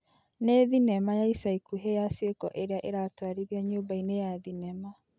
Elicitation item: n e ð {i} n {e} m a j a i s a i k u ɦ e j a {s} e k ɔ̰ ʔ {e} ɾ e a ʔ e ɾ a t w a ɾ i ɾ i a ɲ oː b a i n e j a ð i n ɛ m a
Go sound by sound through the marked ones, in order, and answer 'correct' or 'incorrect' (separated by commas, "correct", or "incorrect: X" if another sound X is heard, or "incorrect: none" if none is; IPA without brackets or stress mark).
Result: correct, incorrect: ɛ, correct, correct